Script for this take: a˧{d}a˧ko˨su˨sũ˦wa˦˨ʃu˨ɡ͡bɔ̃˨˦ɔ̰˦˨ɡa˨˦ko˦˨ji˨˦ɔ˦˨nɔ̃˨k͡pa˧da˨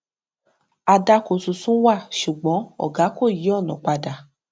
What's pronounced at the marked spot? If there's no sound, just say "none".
d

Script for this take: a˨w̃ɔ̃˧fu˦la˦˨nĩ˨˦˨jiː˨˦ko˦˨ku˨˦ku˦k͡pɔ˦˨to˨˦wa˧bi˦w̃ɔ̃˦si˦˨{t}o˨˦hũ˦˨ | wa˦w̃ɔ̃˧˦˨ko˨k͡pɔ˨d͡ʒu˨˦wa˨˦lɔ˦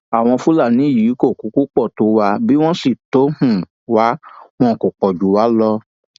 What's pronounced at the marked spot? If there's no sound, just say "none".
t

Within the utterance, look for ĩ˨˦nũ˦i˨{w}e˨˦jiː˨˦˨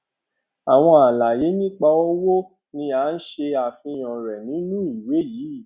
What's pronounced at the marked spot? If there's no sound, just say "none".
w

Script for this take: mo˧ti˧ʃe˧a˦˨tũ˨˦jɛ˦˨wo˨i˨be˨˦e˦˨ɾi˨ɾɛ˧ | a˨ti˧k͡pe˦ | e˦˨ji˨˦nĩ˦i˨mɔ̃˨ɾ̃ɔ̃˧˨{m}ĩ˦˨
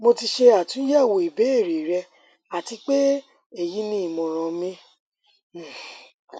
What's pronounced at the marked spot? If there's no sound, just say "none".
m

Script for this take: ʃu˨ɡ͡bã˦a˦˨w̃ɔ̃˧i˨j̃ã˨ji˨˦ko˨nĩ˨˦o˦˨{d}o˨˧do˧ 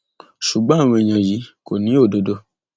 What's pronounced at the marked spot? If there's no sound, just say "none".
d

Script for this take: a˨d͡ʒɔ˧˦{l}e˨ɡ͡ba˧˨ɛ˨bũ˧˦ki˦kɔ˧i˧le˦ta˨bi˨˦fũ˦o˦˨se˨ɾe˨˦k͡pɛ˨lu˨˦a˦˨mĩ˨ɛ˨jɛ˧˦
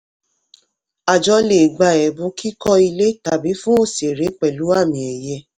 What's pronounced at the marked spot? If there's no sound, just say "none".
l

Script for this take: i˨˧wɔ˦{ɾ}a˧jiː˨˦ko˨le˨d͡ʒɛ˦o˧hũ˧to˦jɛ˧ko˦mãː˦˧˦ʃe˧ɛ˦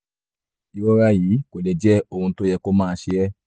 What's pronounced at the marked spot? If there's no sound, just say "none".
ɾ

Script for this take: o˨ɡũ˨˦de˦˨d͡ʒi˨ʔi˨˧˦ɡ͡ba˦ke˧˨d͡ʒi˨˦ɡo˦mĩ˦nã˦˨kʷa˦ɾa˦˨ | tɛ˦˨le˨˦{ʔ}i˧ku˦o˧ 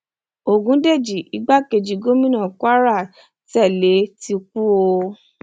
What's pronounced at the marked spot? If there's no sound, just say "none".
t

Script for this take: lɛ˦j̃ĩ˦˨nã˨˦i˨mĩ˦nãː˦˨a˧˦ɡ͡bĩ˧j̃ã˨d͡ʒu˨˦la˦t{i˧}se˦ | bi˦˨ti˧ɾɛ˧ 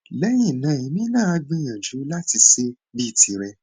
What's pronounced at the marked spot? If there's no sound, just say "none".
i˧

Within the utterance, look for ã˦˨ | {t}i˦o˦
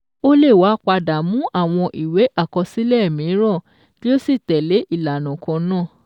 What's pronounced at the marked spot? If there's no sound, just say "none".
t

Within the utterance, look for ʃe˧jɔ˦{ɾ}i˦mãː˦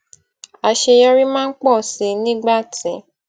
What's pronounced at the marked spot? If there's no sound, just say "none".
ɾ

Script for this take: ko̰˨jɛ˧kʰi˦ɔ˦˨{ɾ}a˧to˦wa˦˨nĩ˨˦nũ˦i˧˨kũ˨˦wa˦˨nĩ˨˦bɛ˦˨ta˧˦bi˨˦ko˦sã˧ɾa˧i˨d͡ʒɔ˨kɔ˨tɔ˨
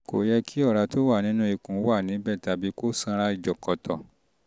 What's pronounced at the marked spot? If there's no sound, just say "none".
ɾ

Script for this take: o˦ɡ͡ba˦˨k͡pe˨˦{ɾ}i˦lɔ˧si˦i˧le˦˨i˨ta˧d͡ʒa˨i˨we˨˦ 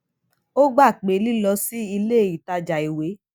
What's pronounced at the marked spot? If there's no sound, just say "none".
l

